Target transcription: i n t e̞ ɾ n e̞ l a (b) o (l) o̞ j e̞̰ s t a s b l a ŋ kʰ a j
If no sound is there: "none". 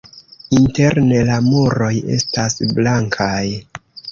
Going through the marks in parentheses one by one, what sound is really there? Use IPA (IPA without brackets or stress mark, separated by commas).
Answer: m, ɾ